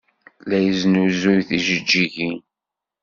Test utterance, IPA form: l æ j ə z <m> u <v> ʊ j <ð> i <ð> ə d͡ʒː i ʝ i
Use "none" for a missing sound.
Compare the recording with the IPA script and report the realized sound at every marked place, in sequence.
n, z, θ, ʒ

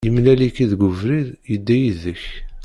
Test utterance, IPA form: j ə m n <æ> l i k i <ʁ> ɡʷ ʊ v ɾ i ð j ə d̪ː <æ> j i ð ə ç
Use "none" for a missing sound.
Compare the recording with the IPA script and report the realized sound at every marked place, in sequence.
æ, ð, æ

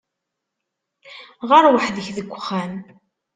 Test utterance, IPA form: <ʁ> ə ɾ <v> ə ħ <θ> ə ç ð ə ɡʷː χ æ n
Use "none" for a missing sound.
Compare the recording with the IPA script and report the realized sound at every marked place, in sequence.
ʁ, w, ð

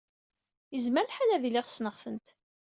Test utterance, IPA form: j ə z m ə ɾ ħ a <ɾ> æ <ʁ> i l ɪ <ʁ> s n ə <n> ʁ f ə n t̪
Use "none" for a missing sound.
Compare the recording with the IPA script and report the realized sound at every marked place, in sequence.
l, ð, ʁ, none

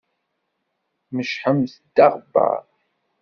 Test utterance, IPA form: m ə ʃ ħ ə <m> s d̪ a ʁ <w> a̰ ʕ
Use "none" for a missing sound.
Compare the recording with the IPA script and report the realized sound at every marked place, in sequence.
m, b

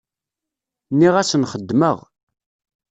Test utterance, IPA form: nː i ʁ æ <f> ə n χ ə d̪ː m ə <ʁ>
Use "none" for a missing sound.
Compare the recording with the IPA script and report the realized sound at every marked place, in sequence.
s, ʁ

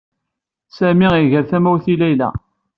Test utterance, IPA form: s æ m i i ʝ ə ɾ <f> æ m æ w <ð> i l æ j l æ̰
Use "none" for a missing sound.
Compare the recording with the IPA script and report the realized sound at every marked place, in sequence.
θ, θ

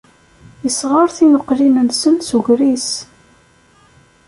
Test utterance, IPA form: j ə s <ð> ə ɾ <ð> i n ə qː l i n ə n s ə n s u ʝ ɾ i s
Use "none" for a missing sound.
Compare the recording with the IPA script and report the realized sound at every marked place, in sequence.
ʁ, θ

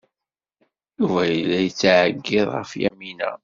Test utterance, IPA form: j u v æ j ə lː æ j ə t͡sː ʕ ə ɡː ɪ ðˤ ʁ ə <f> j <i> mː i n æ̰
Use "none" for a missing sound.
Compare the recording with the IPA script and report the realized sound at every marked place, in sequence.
f, æ

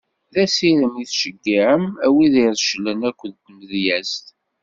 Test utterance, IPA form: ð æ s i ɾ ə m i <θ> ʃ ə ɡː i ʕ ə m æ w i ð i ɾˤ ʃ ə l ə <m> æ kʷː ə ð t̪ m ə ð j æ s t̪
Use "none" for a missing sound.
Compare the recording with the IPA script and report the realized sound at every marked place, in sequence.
θ, n

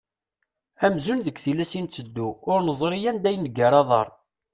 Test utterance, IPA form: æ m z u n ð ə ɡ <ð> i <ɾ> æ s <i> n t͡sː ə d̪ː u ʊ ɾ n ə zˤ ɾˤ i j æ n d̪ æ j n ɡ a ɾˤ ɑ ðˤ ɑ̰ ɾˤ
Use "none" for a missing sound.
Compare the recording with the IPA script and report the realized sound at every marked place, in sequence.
θ, l, i

